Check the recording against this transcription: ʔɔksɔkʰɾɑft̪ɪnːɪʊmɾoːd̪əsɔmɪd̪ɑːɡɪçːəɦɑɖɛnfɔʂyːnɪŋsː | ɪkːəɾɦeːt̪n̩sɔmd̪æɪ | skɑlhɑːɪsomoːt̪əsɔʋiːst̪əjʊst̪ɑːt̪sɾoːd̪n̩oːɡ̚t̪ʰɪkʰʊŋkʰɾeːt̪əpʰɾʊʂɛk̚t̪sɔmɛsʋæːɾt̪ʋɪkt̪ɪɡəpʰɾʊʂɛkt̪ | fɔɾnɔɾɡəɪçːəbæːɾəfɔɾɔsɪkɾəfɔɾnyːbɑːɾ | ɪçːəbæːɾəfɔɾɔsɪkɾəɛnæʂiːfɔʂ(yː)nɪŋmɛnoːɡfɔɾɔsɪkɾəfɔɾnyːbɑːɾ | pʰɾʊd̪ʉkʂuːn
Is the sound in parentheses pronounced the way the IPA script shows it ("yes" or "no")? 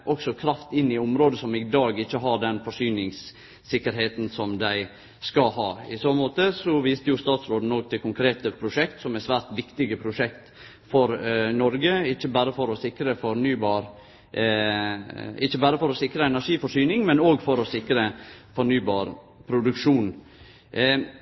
yes